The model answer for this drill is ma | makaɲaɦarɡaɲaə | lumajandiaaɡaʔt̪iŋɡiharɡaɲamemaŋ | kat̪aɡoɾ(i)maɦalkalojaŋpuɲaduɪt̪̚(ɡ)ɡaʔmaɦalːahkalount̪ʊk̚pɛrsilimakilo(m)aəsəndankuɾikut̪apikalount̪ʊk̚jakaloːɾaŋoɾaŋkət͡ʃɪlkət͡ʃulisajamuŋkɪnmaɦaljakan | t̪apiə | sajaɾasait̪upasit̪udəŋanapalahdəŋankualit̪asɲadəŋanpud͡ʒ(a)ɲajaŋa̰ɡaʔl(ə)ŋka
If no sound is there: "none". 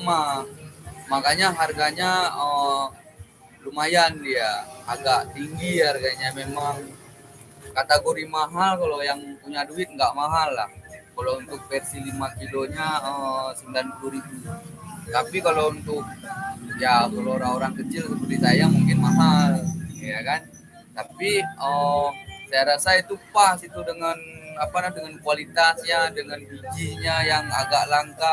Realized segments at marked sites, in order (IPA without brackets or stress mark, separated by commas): i, ŋ, ɲ, i, a